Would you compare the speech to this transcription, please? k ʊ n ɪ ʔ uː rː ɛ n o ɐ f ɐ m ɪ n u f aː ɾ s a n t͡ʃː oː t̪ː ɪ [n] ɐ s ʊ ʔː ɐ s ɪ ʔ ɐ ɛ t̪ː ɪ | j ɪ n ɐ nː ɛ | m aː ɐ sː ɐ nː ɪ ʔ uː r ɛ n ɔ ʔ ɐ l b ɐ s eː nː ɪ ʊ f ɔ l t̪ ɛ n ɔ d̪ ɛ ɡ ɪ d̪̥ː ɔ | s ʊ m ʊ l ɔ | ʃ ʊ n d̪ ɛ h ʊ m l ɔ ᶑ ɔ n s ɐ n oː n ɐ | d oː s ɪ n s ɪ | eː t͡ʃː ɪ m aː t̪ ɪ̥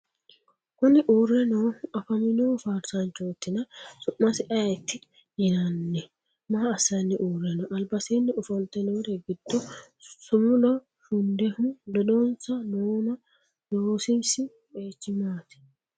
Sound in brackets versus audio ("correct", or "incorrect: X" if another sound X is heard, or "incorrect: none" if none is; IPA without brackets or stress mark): correct